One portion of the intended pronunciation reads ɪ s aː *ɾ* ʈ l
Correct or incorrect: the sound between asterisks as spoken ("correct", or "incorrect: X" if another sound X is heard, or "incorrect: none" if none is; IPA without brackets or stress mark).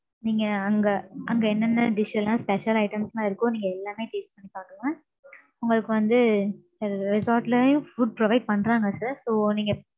correct